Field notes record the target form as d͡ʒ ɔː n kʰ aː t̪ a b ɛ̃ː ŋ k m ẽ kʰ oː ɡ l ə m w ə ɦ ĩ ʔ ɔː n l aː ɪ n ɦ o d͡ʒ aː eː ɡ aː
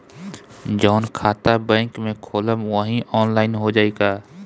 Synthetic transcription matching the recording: d͡ʒ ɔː n kʰ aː t̪ a b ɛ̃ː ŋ k m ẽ kʰ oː l ə m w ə ɦ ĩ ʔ ɔː n l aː ɪ n ɦ o d͡ʒ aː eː ɡ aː